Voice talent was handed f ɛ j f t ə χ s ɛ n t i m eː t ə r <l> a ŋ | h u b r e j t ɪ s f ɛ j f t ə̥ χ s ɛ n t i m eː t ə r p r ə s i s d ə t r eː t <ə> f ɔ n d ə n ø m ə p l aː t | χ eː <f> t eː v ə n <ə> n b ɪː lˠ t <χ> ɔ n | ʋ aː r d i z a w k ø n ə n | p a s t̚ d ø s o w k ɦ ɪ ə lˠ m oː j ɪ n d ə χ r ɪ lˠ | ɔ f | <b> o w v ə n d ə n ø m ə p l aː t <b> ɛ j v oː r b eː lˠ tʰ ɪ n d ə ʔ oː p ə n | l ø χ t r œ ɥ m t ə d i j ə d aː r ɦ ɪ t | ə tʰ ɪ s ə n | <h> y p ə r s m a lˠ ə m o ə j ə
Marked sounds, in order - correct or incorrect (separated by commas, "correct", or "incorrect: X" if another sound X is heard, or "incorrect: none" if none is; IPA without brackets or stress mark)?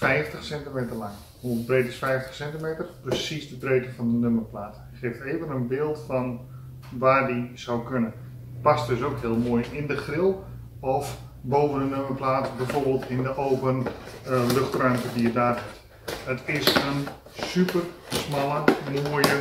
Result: correct, correct, correct, correct, incorrect: f, correct, correct, incorrect: s